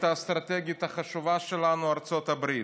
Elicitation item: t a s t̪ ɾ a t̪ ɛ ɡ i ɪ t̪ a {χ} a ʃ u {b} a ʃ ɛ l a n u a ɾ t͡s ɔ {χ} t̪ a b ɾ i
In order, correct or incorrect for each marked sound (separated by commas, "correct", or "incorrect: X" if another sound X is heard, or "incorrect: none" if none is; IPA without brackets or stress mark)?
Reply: correct, incorrect: v, incorrect: none